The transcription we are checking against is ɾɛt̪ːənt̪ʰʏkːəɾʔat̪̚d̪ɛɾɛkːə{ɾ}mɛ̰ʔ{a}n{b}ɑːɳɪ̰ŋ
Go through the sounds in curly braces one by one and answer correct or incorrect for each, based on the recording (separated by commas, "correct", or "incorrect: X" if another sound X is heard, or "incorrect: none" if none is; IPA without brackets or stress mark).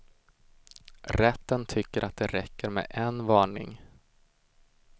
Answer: correct, incorrect: ɛ, incorrect: v